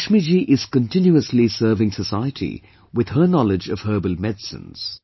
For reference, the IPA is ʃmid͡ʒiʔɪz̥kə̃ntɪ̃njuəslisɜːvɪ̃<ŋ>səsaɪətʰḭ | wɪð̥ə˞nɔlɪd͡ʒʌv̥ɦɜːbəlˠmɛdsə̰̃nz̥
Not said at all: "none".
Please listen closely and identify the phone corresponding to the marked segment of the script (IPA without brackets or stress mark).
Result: ŋ